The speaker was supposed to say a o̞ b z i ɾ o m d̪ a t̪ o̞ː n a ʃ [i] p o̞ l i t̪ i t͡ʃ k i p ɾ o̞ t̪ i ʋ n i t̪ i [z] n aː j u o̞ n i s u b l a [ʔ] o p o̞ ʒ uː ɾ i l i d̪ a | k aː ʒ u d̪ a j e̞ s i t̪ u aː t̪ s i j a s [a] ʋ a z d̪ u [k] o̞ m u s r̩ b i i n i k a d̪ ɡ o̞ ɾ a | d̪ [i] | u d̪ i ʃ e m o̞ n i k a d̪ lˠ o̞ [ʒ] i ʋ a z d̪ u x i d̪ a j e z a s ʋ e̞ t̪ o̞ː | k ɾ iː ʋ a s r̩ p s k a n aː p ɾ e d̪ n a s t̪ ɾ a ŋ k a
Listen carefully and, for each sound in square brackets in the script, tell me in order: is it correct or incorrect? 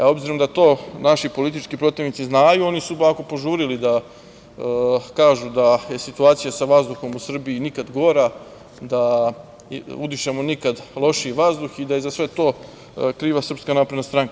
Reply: correct, correct, incorrect: k, correct, incorrect: x, incorrect: a, incorrect: ʃ

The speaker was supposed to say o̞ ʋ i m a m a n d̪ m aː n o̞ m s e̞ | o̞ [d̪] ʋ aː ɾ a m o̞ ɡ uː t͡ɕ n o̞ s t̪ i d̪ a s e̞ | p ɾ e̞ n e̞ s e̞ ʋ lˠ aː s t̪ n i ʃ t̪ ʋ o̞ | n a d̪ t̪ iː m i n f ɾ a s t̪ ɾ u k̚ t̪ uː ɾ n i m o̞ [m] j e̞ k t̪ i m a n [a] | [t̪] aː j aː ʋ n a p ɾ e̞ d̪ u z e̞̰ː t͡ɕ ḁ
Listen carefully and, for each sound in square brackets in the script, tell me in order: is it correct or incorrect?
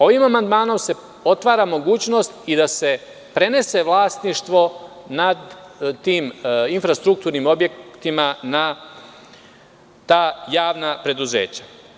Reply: incorrect: t̪, incorrect: b, correct, correct

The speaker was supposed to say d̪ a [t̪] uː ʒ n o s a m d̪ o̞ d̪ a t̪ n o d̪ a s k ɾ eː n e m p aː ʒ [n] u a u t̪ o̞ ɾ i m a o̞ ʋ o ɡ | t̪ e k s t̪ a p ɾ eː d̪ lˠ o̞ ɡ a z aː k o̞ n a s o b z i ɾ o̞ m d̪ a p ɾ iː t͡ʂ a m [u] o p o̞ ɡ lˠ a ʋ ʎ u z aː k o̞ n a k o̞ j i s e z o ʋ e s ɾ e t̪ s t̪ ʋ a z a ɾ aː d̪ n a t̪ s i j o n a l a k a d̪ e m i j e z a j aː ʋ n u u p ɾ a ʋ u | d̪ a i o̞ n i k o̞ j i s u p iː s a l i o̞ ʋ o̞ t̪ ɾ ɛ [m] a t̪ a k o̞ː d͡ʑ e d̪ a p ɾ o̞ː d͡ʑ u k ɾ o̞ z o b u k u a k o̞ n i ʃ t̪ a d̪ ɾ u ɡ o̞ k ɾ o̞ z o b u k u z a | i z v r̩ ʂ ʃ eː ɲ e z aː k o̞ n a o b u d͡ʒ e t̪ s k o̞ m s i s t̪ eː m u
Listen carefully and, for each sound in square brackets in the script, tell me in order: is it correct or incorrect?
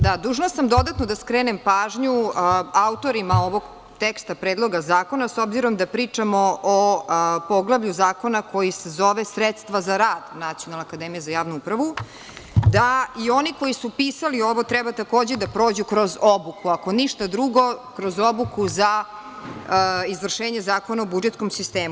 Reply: incorrect: d̪, incorrect: ɲ, incorrect: o, incorrect: b

